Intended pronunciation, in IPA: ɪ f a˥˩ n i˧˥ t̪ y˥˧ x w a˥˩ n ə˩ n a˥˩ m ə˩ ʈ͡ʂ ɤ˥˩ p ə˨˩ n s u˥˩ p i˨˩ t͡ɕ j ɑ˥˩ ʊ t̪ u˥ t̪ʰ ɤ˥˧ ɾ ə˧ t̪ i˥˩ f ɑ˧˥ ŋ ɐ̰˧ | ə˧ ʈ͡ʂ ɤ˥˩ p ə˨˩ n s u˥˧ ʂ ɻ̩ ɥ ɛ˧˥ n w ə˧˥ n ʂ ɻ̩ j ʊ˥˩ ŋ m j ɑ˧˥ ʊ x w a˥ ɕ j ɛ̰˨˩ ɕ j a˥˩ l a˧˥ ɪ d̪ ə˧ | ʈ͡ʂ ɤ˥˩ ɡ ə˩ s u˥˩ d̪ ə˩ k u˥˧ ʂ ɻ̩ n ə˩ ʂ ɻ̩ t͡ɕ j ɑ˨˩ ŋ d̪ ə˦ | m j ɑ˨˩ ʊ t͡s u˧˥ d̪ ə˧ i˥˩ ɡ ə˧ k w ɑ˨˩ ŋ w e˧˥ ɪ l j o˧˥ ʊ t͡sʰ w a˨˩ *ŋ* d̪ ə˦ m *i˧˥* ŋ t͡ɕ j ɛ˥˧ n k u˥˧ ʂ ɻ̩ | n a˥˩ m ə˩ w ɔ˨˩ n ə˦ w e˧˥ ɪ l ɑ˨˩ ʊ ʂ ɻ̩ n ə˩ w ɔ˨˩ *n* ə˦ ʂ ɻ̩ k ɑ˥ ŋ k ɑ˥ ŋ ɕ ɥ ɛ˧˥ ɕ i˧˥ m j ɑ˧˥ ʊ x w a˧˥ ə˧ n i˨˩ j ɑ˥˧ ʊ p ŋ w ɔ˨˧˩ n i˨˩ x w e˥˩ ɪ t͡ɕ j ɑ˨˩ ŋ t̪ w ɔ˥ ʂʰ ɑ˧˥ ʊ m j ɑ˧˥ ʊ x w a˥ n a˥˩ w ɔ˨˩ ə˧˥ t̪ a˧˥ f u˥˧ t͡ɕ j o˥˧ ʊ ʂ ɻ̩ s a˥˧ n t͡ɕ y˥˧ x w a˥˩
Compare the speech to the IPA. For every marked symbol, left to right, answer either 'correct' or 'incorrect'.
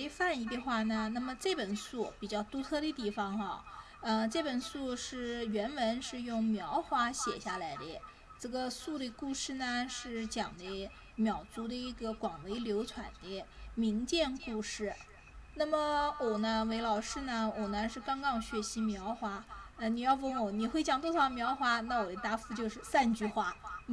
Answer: incorrect: n, correct, correct

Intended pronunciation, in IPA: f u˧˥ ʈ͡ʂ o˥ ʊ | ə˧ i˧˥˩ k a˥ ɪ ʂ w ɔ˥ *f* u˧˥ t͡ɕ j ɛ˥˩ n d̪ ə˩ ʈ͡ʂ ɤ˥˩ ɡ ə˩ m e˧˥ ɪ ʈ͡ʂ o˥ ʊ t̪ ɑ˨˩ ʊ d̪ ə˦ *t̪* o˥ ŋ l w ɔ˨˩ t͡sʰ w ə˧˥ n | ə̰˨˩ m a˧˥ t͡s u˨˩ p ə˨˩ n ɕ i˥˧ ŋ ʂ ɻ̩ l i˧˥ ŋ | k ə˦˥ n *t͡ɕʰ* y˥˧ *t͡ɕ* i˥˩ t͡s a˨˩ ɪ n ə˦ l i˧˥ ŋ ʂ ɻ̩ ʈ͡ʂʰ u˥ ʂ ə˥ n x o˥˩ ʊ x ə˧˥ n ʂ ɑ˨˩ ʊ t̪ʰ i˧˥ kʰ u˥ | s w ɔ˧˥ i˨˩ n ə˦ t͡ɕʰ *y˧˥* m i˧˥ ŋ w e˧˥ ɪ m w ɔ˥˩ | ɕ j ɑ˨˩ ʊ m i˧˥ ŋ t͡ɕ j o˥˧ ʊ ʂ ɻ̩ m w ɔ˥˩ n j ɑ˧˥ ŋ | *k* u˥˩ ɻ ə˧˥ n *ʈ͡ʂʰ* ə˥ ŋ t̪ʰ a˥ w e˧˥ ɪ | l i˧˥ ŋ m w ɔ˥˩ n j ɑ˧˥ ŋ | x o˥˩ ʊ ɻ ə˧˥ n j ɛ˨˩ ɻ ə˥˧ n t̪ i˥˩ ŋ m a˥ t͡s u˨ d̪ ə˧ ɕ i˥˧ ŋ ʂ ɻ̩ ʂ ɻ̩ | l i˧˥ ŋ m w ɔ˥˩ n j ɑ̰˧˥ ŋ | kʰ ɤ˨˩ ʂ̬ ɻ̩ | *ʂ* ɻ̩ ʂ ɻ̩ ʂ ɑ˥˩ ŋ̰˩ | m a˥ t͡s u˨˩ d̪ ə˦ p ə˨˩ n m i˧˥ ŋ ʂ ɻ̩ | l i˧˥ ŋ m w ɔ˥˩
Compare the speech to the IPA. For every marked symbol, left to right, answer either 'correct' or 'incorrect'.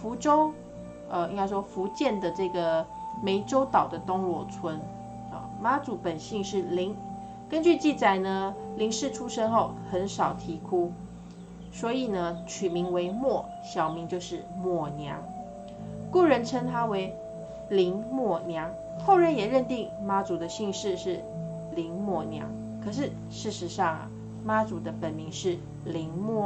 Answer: correct, correct, incorrect: t͡ɕ, correct, incorrect: y˨˩, correct, correct, correct

